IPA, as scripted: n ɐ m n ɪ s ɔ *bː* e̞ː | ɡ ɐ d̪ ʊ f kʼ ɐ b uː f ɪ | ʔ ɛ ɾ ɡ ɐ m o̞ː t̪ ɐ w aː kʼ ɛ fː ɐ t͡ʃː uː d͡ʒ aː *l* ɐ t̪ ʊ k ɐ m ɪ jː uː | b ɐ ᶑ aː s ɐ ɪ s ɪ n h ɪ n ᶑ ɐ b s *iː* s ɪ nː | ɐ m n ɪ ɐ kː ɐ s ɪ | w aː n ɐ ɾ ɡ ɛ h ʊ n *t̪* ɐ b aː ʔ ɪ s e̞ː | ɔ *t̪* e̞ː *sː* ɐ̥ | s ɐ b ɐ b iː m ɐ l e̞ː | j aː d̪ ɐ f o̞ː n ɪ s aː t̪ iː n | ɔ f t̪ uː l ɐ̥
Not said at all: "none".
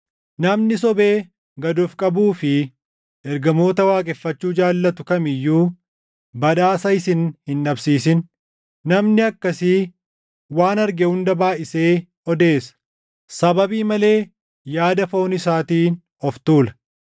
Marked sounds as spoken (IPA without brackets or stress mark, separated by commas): b, lː, iː, d̪, d̪, s